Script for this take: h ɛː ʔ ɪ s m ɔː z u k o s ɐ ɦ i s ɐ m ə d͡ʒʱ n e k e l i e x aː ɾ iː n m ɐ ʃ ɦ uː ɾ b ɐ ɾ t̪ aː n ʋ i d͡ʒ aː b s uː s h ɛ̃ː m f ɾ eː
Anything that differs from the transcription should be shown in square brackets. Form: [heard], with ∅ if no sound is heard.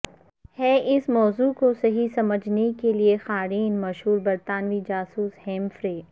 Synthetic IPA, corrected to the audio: h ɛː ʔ ɪ s m ɔː z u k o s ɐ ɦ i s ɐ m ə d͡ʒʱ n e k e l i e x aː ɾ iː n m ɐ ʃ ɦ uː ɾ b ɐ ɾ t̪ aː n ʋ i d͡ʒ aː [∅] s uː s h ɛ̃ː m f ɾ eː